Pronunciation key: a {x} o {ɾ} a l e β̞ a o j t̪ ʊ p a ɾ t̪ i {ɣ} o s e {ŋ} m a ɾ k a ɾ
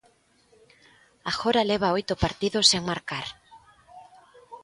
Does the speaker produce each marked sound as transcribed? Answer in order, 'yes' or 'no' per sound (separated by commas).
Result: yes, yes, no, yes